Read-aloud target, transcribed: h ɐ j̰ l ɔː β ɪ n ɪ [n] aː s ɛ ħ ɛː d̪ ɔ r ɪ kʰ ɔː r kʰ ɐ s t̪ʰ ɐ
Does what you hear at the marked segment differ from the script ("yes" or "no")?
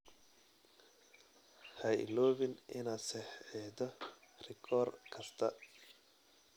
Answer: no